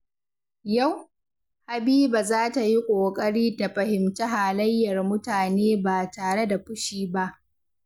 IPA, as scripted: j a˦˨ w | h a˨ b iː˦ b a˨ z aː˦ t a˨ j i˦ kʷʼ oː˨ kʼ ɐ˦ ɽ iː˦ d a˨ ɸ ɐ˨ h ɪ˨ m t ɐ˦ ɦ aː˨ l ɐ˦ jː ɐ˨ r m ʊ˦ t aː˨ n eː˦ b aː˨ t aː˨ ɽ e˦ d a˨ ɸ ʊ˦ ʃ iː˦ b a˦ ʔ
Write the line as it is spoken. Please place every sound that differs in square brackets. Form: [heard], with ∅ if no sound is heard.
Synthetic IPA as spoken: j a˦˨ w | h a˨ b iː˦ b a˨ z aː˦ t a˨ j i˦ kʷʼ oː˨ kʼ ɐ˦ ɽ iː˦ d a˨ ɸ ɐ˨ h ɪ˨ m t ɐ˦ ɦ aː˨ l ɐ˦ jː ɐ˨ r m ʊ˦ t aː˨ n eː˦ b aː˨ t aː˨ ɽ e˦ d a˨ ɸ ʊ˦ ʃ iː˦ b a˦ ʔ

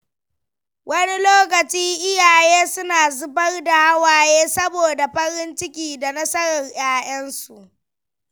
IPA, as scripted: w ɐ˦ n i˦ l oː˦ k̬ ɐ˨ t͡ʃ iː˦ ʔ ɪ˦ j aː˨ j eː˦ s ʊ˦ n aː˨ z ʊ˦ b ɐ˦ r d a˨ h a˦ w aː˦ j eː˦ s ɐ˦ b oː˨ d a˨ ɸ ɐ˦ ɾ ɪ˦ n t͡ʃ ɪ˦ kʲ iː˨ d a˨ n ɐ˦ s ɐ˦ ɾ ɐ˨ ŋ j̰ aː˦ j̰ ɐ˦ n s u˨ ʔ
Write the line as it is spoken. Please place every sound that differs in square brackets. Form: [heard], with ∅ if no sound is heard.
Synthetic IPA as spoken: w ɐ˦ n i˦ l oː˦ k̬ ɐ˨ t͡ʃ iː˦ ʔ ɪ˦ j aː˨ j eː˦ s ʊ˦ n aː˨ z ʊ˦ b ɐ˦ r d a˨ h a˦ w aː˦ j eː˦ s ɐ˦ b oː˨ d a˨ ɸ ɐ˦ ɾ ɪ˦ n t͡ʃ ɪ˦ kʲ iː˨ d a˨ n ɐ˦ s ɐ˦ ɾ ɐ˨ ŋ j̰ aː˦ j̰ ɐ˦ n s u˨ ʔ

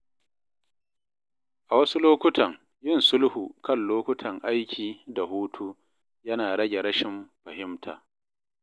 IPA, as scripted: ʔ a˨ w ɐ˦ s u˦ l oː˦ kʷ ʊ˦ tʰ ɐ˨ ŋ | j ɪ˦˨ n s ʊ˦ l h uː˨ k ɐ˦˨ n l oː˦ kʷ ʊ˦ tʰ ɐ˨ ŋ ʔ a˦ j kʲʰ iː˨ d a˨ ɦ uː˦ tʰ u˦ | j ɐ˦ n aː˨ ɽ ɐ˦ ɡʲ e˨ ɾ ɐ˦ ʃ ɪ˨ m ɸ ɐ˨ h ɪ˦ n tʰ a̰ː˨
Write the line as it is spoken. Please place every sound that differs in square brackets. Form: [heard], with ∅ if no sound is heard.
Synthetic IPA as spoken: ʔ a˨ w ɐ˦ s u˦ l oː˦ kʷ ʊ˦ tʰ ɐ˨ ŋ | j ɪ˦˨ n s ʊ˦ l h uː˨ k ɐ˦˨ n l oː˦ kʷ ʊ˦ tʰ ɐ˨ ŋ ʔ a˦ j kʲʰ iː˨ d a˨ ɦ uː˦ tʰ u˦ | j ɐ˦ n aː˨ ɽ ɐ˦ ɡʲ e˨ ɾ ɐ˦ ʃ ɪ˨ m ɸ ɐ˨ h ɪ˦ [m] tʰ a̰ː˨

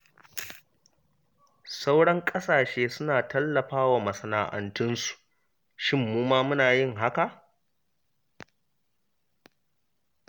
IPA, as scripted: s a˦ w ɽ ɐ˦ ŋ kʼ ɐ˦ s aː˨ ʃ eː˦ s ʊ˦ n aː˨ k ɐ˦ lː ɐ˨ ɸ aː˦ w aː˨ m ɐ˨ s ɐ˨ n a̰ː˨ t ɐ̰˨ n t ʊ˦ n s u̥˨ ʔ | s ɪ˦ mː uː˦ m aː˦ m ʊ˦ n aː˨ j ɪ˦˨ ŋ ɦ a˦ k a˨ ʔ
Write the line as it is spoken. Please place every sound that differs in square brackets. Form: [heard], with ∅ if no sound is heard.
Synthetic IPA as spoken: s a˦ w ɽ ɐ˦ ŋ kʼ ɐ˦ s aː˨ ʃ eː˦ s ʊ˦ n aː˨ [t] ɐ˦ lː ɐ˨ ɸ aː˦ w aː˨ m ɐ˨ s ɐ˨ n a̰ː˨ [ʔ] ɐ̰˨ n t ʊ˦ n s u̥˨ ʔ | [ʃ] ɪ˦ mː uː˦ m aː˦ m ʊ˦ n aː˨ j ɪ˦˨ ŋ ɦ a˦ k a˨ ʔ

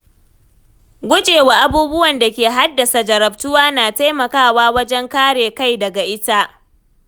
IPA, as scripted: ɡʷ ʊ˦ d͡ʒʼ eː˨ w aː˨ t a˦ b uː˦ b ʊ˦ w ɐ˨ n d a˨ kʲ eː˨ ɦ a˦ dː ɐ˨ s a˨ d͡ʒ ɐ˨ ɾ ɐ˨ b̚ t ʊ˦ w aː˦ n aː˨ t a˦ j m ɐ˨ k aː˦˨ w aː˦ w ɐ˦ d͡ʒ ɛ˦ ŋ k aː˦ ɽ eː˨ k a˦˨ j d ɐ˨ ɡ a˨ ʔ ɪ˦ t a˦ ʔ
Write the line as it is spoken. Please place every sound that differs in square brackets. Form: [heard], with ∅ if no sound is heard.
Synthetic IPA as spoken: ɡʷ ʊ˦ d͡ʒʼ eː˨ w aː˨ [ʔ] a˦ b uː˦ b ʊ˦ w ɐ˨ n d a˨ kʲ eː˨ ɦ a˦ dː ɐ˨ s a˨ d͡ʒ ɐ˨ ɾ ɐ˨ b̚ t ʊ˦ w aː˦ n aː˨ t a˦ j m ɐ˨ k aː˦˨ w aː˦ w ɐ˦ d͡ʒ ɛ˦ ŋ k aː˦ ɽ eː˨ k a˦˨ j d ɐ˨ ɡ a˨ ʔ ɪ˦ t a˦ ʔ

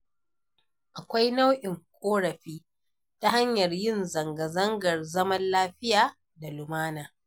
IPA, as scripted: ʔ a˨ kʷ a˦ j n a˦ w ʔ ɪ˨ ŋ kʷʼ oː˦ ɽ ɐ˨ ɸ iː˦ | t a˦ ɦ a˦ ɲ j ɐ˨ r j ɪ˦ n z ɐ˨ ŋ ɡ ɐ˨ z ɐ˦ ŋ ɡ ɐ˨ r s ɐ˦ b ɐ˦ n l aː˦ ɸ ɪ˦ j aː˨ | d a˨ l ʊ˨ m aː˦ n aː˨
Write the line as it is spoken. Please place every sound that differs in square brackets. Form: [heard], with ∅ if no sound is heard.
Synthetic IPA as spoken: ʔ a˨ kʷ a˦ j n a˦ w ʔ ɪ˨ ŋ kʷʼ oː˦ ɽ ɐ˨ ɸ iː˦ | t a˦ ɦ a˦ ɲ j ɐ˨ r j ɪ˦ n z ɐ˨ ŋ ɡ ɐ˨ z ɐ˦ ŋ ɡ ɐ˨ r [z] ɐ˦ [m] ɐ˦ n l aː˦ ɸ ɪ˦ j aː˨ | d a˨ l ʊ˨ m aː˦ n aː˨

